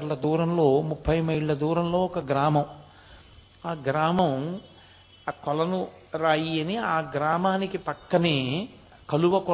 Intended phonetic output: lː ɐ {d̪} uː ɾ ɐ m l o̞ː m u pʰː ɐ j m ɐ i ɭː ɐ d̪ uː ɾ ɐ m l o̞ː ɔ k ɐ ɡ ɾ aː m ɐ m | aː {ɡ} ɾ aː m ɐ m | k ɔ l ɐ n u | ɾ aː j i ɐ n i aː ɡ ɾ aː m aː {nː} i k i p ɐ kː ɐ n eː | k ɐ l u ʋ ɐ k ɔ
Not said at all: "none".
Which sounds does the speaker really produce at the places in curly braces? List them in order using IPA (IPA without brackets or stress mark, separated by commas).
d̪, ɡ, n